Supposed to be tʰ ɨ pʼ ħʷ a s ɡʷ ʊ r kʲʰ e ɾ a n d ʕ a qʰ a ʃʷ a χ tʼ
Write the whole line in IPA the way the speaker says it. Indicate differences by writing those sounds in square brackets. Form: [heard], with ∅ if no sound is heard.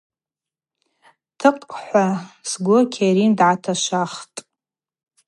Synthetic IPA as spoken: tʰ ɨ [qʼ] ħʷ a s ɡʷ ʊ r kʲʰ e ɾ [i] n d ʕ a [tʰ] a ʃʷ a χ tʼ